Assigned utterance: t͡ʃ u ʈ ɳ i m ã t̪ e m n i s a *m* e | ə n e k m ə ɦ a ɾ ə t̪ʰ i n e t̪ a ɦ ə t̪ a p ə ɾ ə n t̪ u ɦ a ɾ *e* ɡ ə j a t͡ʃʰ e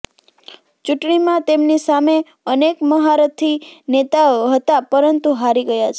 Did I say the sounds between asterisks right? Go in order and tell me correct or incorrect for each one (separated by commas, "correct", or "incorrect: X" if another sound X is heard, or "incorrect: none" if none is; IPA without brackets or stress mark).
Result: correct, incorrect: i